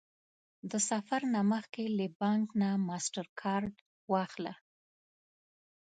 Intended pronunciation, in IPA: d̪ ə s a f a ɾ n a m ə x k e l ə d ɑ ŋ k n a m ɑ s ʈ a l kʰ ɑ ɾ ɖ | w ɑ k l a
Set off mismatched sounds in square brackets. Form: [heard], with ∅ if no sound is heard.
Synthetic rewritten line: d̪ ə s a f a ɾ n a m ə x k e l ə [b] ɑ ŋ k n a m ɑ s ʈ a [ɾ] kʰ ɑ ɾ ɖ | w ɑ [x] l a